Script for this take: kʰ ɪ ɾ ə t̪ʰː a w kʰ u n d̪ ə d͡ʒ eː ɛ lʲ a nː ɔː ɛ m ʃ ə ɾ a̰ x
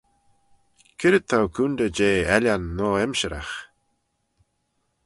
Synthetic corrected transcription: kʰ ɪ ɾ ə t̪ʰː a w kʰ u n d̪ ə d͡ʒ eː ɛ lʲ a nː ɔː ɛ m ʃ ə ɾ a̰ x